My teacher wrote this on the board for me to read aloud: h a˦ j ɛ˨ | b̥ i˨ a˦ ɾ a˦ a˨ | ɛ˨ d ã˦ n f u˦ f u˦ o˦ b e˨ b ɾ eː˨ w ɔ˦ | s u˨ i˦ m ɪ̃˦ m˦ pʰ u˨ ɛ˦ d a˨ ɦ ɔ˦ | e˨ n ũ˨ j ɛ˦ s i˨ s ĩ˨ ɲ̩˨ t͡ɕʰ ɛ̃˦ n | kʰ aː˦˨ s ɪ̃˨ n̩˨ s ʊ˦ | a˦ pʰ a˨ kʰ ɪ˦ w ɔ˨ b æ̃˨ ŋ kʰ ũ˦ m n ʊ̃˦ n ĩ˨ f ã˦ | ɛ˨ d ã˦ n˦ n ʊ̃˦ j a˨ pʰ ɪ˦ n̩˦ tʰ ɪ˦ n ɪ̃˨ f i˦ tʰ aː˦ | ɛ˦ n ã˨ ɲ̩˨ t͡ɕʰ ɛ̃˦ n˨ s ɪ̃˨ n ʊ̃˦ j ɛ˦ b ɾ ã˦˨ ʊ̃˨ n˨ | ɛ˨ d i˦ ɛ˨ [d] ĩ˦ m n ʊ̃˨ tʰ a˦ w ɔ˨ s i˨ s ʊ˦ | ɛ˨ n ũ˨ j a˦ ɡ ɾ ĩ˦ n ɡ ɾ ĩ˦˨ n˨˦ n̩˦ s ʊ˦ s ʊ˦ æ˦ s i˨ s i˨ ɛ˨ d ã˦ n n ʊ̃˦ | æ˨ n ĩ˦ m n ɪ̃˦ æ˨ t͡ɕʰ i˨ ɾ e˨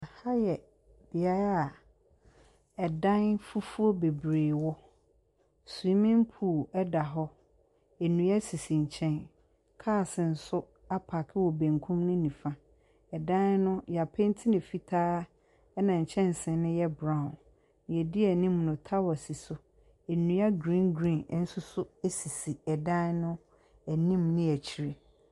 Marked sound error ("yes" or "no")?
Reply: yes